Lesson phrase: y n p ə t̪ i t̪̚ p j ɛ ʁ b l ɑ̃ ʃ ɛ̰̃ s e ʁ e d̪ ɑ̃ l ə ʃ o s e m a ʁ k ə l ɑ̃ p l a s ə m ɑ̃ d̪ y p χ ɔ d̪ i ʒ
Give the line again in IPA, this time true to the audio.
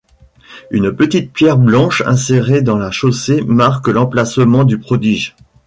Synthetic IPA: y n p ə t̪ i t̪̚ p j ɛ ʁ b l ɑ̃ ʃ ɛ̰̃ s e ʁ e d̪ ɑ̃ l a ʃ o s e m a ʁ k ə l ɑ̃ p l a s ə m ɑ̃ d̪ y p χ ɔ d̪ i ʒ